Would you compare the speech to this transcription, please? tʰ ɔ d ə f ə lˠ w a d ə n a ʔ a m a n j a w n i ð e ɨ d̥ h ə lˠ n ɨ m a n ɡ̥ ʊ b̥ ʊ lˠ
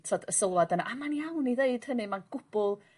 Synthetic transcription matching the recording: tʰ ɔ d ə s ə lˠ w a d ə n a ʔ a m a n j a w n i ð e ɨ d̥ h ə n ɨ m a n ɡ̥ ʊ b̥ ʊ lˠ